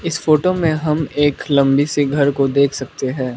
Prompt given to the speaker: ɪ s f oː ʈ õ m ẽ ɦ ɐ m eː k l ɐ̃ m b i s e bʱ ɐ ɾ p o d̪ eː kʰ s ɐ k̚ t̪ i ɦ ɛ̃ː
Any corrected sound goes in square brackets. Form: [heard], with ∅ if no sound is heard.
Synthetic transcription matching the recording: ɪ s f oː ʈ [o] m ẽ ɦ ɐ m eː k l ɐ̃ m b i s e [ɡʱ] ɐ ɾ [k] o d̪ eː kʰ s ɐ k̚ t̪ [e] ɦ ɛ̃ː